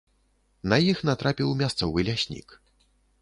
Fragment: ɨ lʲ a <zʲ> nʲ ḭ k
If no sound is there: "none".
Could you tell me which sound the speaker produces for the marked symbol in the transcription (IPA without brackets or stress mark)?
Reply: sʲ